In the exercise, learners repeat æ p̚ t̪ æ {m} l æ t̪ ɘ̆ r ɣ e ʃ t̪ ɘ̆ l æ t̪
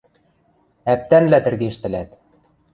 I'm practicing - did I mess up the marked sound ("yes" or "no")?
yes